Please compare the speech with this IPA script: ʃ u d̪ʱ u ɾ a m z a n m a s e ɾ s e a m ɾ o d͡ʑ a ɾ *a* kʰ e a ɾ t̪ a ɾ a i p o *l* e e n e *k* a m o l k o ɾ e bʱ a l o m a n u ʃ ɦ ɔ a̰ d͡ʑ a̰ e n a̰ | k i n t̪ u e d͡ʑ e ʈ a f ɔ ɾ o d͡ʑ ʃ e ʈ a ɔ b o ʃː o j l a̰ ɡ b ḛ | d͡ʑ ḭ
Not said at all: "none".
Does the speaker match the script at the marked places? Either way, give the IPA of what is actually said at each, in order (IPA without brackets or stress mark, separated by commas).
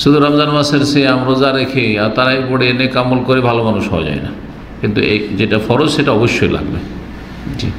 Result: e, ɽ, k